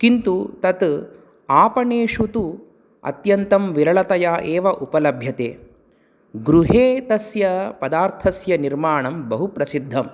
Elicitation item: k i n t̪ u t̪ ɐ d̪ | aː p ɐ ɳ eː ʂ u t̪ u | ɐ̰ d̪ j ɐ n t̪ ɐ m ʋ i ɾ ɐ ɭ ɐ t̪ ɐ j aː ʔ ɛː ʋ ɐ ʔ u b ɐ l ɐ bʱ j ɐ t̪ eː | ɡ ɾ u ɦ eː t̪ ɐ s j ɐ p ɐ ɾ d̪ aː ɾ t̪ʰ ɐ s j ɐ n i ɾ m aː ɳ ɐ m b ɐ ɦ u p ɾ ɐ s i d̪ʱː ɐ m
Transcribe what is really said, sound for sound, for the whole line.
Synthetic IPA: k i n t̪ u t̪ ɐ t̪ | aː p ɐ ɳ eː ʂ u t̪ u | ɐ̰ t̪ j ɐ n t̪ ɐ m ʋ i ɾ ɐ ɭ ɐ t̪ ɐ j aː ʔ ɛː ʋ ɐ ʔ u p ɐ l ɐ bʱ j ɐ t̪ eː | ɡ ɾ u ɦ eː t̪ ɐ s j ɐ p ɐ d̪ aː ɾ t̪ʰ ɐ s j ɐ n i ɾ m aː ɳ ɐ m b ɐ ɦ u p ɾ ɐ s i d̪ʱː ɐ m